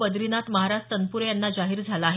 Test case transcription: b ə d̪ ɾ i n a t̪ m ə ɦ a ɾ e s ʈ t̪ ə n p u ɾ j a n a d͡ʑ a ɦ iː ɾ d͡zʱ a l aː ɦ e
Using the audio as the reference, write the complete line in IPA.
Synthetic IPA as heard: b ə d̪ ɾ i n a t̪ m ə ɦ a ɾ a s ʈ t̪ ə n p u ɾ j a nː a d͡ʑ a ɦ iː ɾ d͡zʱ a l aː ɦ e

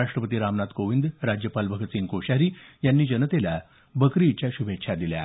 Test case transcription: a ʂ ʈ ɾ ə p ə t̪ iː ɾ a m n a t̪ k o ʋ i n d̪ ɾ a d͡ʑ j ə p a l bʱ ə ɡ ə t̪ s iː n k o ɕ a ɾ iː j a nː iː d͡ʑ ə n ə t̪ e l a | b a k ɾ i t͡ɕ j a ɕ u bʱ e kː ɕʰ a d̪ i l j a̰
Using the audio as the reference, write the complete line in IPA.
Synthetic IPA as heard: a ʂ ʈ ɾ ə p ə t̪ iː ɾ a m n a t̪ k o ʋ i n d̪ ɾ a d͡ʑ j ə p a l bʱ ə ɡ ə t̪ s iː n k o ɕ a ɾ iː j a nː iː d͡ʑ ə n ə t̪ e l a | b ə k ɾ i t͡ɕ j a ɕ u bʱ e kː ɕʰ a d̪ i l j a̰

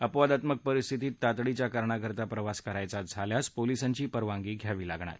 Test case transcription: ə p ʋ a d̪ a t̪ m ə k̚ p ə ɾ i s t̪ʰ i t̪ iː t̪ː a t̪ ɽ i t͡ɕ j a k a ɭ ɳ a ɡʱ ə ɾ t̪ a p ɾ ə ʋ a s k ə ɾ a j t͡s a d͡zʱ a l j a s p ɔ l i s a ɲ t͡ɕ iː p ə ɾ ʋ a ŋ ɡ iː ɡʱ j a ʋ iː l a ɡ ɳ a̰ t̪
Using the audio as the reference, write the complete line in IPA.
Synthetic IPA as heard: ə p ʋ a d̪ a t̪ m ə k̚ p ə ɾ i s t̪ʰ i t̪ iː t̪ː a t̪ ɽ i t͡ɕ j a k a ɾ ɳ a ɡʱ ə ɾ t̪ a p ɾ ə ʋ a s k ə ɾ a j t͡s a d͡zʱ a l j a s p o l i s a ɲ t͡ɕ iː p ə ɾ ʋ a ŋ ɡ iː ɡʱ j a ʋ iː l a ɡ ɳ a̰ t̪

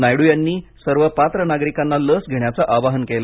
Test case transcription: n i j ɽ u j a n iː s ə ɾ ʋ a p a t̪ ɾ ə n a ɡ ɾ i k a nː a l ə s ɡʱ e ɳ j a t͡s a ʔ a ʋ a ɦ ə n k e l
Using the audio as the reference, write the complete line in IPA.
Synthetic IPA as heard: n a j ɽ u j a nː iː s ə ɾ ʋ ə p a t̪ ɾ ə n a ɡ ɾ i k a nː a l ə s ɡʱ e ɳ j a t͡s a ʔ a ʋ a ɦ ə n k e l

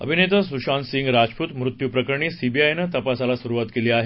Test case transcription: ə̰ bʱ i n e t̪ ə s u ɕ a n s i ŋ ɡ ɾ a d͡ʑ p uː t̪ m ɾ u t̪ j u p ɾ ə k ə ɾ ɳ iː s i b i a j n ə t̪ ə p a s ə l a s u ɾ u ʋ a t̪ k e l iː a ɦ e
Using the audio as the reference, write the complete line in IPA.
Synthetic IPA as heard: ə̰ bʱ i n e t̪ ə s u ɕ a n s i ŋ ɡ ɾ a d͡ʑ p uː t̪ m ɾ u t̪ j u p ɾ ə k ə ɾ ɳ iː s i b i a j n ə t̪ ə p a s a l a s u ɾ u ʋ a t̪ k e l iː a ɦ e

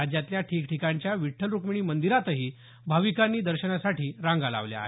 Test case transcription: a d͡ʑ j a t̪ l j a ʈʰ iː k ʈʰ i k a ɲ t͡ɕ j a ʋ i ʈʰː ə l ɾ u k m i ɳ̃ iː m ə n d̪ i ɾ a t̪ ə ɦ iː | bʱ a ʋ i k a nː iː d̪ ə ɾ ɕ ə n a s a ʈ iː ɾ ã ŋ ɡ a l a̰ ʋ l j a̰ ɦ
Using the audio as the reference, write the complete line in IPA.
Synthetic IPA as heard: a d͡ʑ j a t̪ l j a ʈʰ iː k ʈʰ i k a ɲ t͡ɕ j a ʋ i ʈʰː ə l ɾ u k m i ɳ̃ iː m ə n d̪ i ɾ a t̪ ə ɦ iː | bʱ a ʋ i k a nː iː d̪ ə ɾ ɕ ə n a s a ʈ iː ɾ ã ŋ ɡ a l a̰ ʋ l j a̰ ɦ

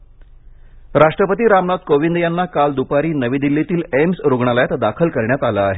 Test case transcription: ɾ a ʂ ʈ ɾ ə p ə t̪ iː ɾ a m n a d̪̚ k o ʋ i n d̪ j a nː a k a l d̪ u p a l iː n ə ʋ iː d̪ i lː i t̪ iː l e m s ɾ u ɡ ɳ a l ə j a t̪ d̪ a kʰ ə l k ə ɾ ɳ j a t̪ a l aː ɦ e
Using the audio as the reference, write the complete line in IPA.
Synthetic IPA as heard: ɾ a ʂ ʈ ɾ ə p ə t̪ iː ɾ a m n a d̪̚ k o ʋ i n d̪ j a nː a k a l d̪ u p a ɾ iː n ə ʋ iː d̪ i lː i t̪ iː l e m s ɾ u ɡ ɳ a l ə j a t̪ d̪ a kʰ ə l k ə ɾ ɳ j a t̪ a l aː ɦ e

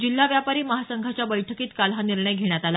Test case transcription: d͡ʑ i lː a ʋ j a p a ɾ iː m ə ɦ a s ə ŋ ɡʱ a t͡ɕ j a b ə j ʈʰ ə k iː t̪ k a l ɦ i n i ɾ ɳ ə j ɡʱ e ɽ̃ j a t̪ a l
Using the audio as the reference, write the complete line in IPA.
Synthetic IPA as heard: d͡ʑ i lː a ʋ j a p a ɾ iː m ə ɦ a s ə ŋ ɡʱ a t͡ɕ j a b ə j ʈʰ ə k iː t̪ k a l ɦ a n i ɾ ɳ ə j ɡʱ e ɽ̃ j a t̪ a l

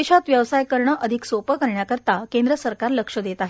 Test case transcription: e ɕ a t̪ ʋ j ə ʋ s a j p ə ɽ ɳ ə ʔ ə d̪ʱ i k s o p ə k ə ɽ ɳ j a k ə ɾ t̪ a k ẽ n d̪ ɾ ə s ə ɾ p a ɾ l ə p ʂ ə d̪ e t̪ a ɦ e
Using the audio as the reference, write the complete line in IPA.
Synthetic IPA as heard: e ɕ a t̪ ʋ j ə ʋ s a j k ə ɾ ɳ ə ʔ ə d̪ʱ i k s o p ə k ə ɾ ɳ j a k ə ɾ t̪ a k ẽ n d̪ ɾ ə s ə ɾ k a ɾ l ə k ʂ ə d̪ e t̪ a ɦ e

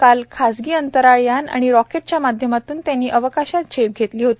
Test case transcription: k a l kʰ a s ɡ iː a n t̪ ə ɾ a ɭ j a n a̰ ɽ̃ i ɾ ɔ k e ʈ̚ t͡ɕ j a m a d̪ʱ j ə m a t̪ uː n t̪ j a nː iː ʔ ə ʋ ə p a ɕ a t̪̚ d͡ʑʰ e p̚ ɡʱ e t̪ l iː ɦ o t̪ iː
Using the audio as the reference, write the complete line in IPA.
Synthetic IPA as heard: k a l kʰ a s ɡ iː ə n t̪ ə ɾ a ɭ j a n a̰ ɽ̃ i ɾ ɔ k e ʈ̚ t͡ɕ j a m a d̪ʱ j ə m a t̪ uː n t̪ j a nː iː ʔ ə ʋ ə k a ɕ a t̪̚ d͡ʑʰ e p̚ ɡʱ e t̪ l iː ɦ o t̪ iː

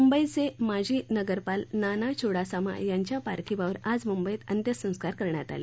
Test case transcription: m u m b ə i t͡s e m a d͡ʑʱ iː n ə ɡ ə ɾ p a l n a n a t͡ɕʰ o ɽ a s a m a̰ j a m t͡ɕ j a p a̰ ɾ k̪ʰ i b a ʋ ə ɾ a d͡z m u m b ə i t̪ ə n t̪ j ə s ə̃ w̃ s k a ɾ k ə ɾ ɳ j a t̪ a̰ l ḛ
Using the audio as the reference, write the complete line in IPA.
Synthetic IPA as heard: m u m b ə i t͡s e m a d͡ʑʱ iː n ə ɡ ə ɾ p a l n a n a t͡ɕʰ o ɽ a s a m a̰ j a ɲ t͡ɕ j a p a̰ ɾ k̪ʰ i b a ʋ ə ɾ a d͡z m u m b ə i t̪ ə n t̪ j ə s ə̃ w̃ s k a ɾ k ə ɾ ɳ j a t̪ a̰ l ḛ

